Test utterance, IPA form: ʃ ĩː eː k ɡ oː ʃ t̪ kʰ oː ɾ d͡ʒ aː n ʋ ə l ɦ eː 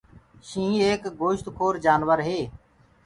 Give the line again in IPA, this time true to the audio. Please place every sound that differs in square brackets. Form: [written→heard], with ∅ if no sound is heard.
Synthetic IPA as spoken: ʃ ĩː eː k ɡ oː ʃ t̪ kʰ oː ɾ d͡ʒ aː n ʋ ə [l→ɾ] ɦ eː

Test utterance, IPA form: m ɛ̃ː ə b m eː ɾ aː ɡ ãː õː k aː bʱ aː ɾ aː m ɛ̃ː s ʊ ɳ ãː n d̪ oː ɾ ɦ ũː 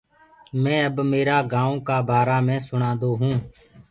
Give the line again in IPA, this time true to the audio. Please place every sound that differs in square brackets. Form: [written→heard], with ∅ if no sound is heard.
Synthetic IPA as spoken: m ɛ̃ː ə b m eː ɾ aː ɡ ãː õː k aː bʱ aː ɾ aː m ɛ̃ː s ʊ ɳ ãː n d̪ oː [ɾ→∅] ɦ ũː

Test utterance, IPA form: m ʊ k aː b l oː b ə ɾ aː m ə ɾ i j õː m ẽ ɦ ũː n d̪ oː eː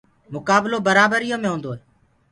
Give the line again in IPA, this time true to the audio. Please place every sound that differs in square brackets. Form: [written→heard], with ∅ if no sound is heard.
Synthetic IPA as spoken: m ʊ k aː b l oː b ə ɾ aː [m→b] ə ɾ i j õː m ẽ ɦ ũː n d̪ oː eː

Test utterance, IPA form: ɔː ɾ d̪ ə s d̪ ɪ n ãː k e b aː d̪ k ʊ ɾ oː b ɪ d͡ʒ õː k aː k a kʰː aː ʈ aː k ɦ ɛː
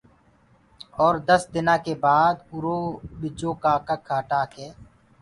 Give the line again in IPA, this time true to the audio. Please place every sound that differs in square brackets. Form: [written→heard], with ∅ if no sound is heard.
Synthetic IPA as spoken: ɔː ɾ d̪ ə s d̪ ɪ n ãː k e b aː d̪ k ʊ ɾ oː b ɪ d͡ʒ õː k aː k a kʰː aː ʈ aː k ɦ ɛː

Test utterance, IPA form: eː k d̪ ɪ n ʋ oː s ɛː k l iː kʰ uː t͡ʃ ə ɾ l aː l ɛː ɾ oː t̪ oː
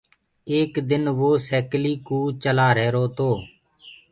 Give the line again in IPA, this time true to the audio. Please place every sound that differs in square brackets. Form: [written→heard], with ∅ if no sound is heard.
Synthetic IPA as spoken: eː k d̪ ɪ n ʋ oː s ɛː k l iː [kʰ→k] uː t͡ʃ ə [ɾ→∅] l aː [l→ɾ] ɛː ɾ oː t̪ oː

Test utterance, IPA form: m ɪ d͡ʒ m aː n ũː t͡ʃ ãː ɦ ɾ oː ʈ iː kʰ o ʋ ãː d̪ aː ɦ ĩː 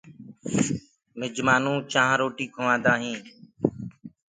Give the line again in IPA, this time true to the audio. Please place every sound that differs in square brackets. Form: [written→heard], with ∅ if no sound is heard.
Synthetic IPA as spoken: m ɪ d͡ʒ m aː n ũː t͡ʃ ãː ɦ ɾ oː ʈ iː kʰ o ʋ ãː d̪ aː ɦ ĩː

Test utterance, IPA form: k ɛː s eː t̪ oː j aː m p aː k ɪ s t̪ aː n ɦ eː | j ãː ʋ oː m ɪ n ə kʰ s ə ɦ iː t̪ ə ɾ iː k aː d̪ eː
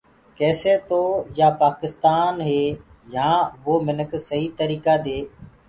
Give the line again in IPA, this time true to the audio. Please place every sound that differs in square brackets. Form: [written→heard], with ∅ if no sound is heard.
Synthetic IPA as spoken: k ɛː s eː t̪ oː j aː [m→∅] p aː k ɪ s t̪ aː n ɦ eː | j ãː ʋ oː m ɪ n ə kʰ s ə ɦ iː t̪ ə ɾ iː k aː d̪ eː

